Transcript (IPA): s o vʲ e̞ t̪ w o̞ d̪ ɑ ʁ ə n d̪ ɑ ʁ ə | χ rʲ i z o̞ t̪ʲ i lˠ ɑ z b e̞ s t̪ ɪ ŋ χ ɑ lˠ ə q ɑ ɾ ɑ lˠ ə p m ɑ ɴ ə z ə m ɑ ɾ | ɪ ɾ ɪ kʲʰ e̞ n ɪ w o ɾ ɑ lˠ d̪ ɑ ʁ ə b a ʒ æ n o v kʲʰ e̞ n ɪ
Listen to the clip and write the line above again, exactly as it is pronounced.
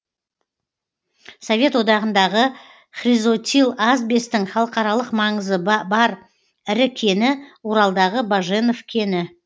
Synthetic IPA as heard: s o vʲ e̞ t̪ w o̞ d̪ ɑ ʁ ə n d̪ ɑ ʁ ə | χ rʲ i z o̞ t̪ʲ i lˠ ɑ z b e̞ s t̪ ɪ ŋ χ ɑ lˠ ə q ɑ ɾ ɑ lˠ ə q m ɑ ɴ ə z ə b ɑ ɾ | ɪ ɾ ɪ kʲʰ e̞ n ɪ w o ɾ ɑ lˠ d̪ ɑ ʁ ə b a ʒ e n o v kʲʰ e̞ n ɪ